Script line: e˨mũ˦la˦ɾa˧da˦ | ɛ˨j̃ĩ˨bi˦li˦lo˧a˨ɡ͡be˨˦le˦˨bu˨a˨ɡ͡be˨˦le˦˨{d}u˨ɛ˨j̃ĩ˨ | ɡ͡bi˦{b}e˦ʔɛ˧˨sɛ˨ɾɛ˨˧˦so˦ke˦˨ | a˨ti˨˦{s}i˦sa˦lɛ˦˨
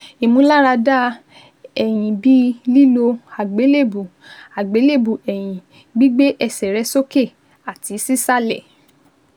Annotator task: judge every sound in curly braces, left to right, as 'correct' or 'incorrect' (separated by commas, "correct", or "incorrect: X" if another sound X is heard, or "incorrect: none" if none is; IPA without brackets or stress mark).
incorrect: b, incorrect: ɡ͡b, correct